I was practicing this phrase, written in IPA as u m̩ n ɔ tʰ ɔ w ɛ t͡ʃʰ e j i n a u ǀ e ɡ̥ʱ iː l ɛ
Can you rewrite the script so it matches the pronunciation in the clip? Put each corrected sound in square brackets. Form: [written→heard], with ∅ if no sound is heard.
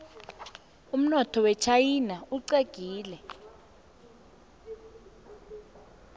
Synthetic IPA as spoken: u m̩ n ɔ tʰ ɔ w ɛ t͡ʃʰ [e→a] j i n a u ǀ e ɡ̥ʱ iː l ɛ